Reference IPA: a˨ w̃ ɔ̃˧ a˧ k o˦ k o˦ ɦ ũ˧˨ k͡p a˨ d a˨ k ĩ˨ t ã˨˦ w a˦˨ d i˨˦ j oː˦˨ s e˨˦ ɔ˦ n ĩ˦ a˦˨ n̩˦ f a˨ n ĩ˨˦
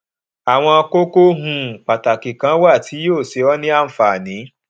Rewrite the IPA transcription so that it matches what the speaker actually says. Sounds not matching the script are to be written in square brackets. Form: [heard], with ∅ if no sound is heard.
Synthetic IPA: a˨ w̃ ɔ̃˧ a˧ k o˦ k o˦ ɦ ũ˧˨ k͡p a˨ [t] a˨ k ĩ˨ [k] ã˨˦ w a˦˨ [t] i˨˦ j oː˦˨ s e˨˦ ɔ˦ n ĩ˦ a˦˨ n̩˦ f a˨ n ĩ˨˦